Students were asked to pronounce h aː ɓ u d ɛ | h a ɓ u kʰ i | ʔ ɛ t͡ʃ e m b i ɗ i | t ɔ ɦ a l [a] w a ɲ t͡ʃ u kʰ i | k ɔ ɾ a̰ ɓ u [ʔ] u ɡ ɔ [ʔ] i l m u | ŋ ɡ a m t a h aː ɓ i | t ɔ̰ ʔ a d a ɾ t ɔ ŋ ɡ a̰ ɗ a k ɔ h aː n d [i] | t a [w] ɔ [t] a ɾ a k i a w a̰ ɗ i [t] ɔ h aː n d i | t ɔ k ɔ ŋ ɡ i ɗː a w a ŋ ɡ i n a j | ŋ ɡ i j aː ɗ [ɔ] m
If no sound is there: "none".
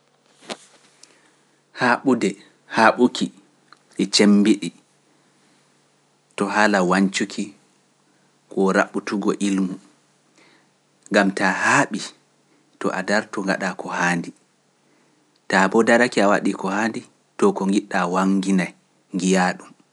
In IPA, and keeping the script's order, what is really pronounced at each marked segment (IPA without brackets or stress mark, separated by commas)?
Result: a, t, ʔ, i, b, d, k, u